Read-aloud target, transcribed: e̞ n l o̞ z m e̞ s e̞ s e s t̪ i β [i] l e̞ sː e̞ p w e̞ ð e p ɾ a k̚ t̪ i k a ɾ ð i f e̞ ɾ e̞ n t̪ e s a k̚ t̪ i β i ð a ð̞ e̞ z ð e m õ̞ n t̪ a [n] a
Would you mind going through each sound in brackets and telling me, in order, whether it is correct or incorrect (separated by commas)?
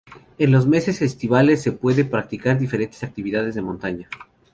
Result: incorrect, incorrect